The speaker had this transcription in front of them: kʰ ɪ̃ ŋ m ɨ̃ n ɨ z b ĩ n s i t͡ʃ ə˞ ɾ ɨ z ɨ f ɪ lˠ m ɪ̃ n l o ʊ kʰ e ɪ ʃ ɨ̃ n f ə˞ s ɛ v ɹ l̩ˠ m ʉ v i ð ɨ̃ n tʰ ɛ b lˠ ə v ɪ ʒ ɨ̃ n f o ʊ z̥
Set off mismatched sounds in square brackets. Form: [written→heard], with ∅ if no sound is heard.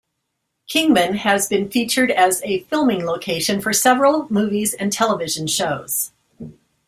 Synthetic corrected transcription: kʰ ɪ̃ ŋ m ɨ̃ n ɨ z b [ĩ→ɨ̃] n [s→f] i t͡ʃ ə˞ ɾ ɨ z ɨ f ɪ lˠ m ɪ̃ [n→ŋ] l o ʊ kʰ e ɪ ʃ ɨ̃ n f ə˞ s ɛ v ɹ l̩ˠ m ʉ v i [ð→z] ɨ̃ n tʰ ɛ [b→∅] lˠ ə v ɪ ʒ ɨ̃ n [f→ʃ] o ʊ z̥